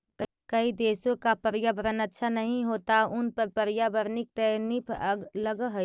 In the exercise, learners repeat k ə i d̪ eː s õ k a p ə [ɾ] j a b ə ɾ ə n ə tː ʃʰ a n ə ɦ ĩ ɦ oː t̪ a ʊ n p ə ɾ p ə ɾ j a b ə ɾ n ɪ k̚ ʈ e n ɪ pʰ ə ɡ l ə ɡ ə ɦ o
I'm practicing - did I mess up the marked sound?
no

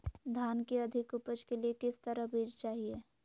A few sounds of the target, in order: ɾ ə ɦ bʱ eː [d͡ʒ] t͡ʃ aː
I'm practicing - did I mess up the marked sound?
no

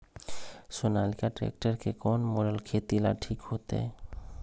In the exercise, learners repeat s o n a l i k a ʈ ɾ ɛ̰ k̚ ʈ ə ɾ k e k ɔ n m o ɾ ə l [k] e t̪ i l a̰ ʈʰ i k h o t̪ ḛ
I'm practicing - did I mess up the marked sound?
yes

